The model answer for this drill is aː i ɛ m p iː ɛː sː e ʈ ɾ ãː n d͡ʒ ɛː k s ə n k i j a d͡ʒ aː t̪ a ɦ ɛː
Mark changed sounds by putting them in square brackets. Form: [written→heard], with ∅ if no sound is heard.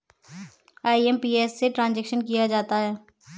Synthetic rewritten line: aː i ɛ m p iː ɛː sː e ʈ ɾ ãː n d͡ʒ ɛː k [s→ʃ] ə n k i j a d͡ʒ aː t̪ a ɦ ɛː